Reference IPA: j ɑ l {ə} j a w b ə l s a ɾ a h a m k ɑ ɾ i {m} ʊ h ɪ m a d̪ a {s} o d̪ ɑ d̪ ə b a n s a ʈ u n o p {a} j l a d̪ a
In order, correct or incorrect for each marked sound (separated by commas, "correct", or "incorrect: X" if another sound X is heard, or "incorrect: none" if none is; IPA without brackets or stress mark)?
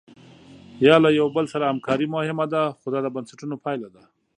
incorrect: a, correct, incorrect: x, incorrect: ɑ